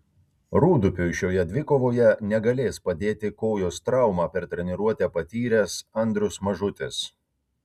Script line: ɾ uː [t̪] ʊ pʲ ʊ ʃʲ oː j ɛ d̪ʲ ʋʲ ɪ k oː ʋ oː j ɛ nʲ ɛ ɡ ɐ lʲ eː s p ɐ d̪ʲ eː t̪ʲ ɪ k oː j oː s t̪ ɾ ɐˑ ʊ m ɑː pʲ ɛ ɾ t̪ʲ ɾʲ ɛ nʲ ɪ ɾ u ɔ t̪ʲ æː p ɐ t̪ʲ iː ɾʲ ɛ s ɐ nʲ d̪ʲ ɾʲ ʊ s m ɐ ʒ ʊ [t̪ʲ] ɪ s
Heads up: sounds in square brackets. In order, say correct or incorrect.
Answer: incorrect: d̪, correct

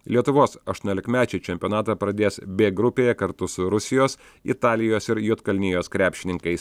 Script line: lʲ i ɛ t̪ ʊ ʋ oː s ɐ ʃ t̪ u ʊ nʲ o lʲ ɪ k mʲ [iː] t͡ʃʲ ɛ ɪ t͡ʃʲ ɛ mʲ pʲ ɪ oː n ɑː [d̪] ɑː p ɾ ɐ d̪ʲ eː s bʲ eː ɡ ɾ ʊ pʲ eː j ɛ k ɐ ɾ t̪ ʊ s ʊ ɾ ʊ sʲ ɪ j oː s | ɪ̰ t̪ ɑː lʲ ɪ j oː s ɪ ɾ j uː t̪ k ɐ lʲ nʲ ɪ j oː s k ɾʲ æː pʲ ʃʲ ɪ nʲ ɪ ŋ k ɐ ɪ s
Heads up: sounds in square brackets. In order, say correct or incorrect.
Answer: incorrect: æː, incorrect: t̪

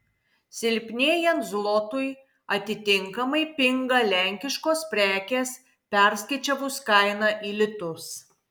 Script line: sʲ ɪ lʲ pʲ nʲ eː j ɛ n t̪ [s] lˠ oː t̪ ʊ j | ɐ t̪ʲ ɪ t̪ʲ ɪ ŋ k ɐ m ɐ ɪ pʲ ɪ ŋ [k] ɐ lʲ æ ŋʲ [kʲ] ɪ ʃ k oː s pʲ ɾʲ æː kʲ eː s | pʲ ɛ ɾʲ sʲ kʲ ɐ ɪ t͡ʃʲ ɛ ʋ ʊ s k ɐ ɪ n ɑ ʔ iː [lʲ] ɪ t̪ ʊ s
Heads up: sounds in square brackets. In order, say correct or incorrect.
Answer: incorrect: z, incorrect: ɡ, correct, correct

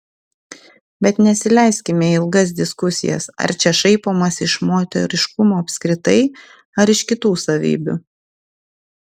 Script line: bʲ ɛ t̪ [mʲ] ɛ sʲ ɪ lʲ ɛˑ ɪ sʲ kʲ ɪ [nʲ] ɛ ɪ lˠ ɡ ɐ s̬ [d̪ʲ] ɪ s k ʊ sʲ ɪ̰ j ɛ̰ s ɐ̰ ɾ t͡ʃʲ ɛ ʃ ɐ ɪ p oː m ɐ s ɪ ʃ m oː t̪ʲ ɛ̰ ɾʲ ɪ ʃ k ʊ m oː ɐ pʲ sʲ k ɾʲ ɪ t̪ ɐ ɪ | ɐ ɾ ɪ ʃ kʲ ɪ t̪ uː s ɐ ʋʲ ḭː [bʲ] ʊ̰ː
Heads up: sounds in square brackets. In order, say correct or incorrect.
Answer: incorrect: nʲ, incorrect: mʲ, correct, correct

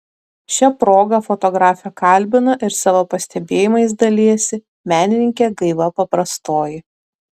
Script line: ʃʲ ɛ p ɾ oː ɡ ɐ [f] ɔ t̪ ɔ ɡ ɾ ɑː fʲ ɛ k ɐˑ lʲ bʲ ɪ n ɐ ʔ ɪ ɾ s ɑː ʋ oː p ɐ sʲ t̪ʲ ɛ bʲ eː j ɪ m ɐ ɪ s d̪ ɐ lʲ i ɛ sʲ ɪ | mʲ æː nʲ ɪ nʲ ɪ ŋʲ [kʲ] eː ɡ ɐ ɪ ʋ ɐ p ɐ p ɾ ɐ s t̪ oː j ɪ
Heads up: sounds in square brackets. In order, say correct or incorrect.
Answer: correct, correct

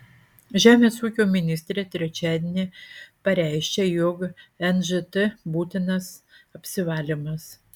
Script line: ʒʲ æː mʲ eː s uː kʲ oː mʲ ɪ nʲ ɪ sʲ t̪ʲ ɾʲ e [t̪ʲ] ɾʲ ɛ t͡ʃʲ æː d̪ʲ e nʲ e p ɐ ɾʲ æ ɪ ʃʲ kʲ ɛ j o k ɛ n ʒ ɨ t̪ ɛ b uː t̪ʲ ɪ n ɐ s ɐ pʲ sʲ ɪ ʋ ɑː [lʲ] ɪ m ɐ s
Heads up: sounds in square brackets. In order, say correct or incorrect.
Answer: correct, correct

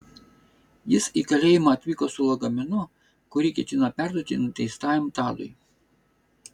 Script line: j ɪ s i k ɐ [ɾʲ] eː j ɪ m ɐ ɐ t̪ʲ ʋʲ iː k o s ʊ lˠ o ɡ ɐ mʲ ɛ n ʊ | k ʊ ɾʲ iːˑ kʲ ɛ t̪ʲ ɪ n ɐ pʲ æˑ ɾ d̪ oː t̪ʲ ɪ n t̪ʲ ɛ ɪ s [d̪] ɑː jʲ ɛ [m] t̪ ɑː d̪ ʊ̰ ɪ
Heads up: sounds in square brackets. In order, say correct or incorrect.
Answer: incorrect: lʲ, incorrect: t̪, correct

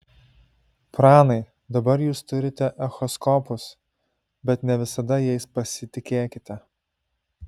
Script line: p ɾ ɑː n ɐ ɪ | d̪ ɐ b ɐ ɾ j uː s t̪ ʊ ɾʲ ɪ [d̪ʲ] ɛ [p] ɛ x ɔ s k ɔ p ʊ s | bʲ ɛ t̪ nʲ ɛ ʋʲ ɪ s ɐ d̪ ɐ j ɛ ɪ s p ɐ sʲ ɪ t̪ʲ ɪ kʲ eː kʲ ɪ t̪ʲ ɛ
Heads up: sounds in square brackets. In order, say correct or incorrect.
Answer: incorrect: t̪ʲ, incorrect: ʔ

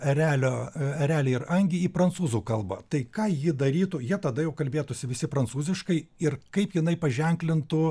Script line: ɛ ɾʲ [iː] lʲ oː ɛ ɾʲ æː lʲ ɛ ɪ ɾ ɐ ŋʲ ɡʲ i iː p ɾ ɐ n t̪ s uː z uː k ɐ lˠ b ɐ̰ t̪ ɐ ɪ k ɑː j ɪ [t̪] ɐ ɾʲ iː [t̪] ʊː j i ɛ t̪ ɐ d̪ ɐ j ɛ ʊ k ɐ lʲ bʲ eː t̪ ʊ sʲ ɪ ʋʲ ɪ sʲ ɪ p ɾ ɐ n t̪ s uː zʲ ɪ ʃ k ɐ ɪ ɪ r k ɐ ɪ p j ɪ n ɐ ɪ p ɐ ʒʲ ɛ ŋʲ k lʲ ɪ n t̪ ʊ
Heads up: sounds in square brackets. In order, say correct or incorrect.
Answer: incorrect: æː, incorrect: d̪, correct

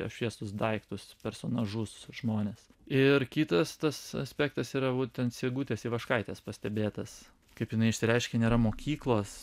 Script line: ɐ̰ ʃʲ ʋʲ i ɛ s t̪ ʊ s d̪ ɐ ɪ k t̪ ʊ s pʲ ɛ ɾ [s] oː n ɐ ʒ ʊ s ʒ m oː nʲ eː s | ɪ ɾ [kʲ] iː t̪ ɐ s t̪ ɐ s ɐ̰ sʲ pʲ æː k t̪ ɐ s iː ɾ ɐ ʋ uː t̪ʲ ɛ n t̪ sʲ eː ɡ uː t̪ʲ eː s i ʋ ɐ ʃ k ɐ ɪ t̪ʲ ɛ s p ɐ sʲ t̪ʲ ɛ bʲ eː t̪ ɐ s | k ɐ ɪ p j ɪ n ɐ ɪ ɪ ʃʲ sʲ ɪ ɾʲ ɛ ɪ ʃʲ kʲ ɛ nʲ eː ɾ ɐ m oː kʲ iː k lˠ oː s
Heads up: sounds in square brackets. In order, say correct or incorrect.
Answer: correct, correct

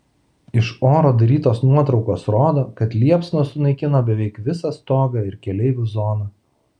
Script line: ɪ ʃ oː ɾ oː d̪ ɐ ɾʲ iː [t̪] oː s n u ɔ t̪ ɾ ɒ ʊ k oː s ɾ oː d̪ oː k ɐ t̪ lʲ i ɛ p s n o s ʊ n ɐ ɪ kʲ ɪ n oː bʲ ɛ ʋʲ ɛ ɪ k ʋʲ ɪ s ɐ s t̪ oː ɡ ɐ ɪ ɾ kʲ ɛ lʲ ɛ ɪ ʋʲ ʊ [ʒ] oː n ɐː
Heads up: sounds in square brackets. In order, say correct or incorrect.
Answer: correct, incorrect: z

